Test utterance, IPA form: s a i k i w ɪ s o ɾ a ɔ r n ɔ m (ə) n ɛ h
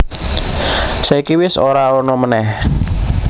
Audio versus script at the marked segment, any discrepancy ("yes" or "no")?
no